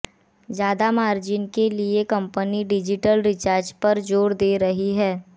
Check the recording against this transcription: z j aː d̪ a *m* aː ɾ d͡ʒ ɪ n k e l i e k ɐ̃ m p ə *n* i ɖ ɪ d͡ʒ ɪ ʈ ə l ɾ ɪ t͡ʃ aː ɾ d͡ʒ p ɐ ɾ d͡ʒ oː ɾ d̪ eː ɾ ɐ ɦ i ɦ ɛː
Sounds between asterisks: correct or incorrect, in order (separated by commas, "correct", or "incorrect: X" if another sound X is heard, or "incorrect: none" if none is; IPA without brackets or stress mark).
correct, correct